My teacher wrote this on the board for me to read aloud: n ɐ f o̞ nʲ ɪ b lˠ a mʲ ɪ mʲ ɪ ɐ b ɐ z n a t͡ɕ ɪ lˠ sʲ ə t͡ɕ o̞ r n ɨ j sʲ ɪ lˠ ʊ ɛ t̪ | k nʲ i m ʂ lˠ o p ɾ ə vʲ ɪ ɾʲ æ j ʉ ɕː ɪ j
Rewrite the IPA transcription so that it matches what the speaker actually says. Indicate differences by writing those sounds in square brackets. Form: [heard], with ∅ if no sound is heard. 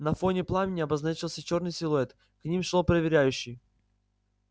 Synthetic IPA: n ɐ f o̞ nʲ ɪ [p] lˠ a mʲ ɪ [nʲ] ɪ ɐ b ɐ z n a t͡ɕ ɪ lˠ sʲ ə t͡ɕ o̞ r n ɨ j sʲ ɪ lˠ ʊ ɛ t̪ | k nʲ i m ʂ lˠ o p ɾ ə vʲ ɪ ɾʲ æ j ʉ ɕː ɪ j